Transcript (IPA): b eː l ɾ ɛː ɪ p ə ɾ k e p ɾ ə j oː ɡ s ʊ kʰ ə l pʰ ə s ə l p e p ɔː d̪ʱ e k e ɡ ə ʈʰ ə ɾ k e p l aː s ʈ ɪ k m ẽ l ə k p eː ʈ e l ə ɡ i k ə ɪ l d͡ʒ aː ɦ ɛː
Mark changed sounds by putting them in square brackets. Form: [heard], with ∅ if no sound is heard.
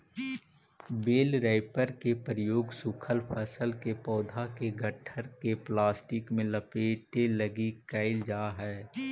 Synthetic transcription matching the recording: b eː l ɾ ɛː ɪ p ə ɾ k e p ɾ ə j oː ɡ s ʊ kʰ ə l pʰ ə s ə l [k] e p ɔː d̪ʱ [a] k e ɡ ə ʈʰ ə ɾ k e p l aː s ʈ ɪ k m ẽ l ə [∅] p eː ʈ e l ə ɡ i k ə ɪ l d͡ʒ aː ɦ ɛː